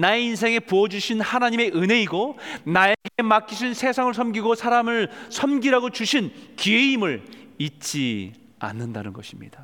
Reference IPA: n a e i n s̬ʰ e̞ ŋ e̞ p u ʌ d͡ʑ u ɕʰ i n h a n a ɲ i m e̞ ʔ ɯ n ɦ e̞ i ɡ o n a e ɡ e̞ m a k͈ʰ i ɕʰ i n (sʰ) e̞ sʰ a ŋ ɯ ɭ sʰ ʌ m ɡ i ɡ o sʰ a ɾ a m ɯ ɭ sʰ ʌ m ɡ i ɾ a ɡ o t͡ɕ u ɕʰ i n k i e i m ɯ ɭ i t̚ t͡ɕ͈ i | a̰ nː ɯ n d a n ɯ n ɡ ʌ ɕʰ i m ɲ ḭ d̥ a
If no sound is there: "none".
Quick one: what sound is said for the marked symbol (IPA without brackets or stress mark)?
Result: sʰ